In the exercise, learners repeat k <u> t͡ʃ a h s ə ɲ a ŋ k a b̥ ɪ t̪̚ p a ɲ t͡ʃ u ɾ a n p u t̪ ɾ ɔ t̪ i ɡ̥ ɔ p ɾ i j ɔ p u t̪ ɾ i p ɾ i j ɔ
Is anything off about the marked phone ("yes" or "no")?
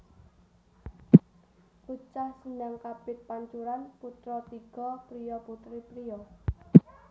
no